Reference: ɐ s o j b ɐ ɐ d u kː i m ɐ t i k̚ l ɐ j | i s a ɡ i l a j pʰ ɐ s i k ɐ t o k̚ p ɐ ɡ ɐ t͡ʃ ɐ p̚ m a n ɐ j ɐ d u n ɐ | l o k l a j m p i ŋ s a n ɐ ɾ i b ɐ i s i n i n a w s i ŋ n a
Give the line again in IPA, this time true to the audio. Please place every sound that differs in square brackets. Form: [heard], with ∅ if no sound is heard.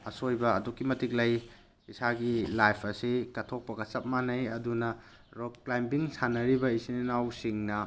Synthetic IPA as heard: ɐ s o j b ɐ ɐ d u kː i m ɐ t i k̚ l ɐ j | i s a ɡ i l a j pʰ ɐ s i k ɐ [tʰ] o k̚ p ɐ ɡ ɐ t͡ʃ ɐ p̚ m a n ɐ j ɐ d u n ɐ | [ɾ] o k l a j m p i ŋ s a n ɐ ɾ i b ɐ i s i n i n a w s i ŋ n [ɐ]